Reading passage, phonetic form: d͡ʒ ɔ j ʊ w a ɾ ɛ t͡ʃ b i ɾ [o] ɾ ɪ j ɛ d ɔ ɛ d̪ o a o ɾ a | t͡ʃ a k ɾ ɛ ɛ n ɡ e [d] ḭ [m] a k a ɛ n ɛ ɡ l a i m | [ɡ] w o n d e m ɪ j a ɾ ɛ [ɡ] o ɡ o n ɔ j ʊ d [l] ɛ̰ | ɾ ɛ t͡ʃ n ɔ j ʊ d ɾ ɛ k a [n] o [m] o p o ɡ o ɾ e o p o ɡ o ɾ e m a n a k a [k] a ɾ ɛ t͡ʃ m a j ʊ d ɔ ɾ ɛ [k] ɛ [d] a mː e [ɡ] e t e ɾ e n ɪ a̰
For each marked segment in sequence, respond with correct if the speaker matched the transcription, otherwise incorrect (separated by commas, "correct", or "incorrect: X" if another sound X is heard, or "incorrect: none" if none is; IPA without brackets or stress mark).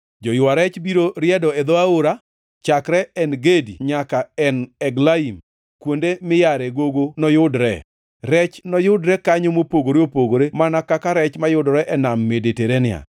correct, correct, incorrect: ɲ, incorrect: k, correct, incorrect: ɾ, incorrect: ɲ, correct, correct, incorrect: ʔ, incorrect: n, incorrect: d